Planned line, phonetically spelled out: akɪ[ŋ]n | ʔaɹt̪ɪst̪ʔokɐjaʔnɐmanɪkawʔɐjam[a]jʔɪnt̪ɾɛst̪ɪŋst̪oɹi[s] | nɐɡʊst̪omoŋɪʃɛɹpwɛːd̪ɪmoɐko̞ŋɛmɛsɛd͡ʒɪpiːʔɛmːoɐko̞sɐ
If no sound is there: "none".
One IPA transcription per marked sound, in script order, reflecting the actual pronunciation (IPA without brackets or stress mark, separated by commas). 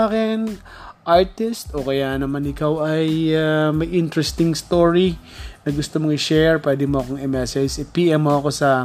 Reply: none, ɐ, none